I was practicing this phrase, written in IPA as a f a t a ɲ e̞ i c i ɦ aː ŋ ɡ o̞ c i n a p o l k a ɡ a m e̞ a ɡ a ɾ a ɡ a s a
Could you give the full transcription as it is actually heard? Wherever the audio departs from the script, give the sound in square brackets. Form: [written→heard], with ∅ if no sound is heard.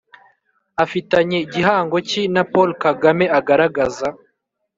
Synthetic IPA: a f [a→i] t a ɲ e̞ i [c→ɟ] i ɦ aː ŋ ɡ o̞ c i n a p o l k a ɡ a m e̞ a ɡ a ɾ a ɡ a [s→z] a